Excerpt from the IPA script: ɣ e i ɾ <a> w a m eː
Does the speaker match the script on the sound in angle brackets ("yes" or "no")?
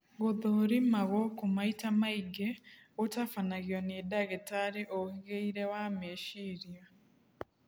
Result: no